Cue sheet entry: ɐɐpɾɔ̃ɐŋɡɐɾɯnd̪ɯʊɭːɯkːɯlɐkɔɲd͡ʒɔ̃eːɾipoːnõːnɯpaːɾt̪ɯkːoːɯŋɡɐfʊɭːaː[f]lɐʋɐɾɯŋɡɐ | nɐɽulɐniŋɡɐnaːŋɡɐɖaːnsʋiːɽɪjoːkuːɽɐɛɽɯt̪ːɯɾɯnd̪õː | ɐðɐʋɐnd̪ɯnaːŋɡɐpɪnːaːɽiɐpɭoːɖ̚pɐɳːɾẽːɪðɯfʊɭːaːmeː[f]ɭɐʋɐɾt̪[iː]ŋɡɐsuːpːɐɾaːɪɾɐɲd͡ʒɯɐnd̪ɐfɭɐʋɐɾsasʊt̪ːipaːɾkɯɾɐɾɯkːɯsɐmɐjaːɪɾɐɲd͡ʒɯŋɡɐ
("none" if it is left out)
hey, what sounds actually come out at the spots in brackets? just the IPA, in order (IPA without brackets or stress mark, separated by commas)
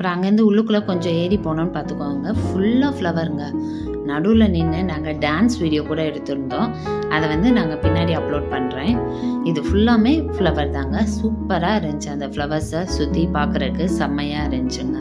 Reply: f, f, aː